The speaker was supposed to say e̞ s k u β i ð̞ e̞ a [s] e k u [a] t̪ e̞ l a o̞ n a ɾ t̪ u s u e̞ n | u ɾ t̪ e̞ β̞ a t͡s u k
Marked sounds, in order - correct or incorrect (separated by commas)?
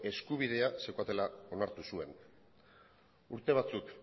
correct, correct